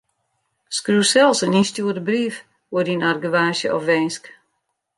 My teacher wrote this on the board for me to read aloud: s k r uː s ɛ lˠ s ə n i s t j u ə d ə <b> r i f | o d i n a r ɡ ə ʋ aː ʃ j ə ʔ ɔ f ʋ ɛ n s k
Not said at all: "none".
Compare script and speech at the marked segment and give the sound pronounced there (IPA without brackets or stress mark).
b